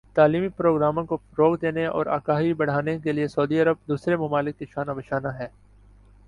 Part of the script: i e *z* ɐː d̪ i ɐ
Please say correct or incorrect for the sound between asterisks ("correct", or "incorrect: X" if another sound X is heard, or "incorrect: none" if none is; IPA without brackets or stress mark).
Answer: incorrect: s